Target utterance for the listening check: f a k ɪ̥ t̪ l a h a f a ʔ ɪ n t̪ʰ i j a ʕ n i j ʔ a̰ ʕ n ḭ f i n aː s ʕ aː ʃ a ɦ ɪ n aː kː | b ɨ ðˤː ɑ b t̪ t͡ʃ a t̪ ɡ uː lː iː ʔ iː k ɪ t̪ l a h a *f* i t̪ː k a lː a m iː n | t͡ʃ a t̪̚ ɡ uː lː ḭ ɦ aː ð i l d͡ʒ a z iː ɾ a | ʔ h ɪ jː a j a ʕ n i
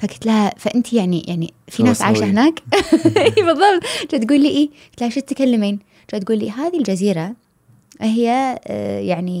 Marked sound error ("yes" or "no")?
yes